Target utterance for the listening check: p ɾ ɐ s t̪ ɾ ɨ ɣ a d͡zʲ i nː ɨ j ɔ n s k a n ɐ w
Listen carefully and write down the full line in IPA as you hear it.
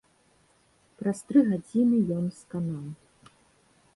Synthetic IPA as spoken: p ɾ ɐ s t̪ ɾ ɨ ɣ a d͡zʲ i n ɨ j ɔ n s k a n a w